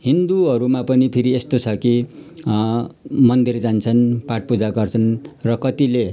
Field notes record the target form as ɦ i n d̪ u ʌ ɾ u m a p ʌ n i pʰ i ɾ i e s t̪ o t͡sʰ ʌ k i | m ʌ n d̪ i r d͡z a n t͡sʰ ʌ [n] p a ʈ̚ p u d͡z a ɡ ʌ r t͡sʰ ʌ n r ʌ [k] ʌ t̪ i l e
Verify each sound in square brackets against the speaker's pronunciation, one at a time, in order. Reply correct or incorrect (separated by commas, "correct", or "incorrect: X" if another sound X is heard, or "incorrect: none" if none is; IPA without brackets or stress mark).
correct, correct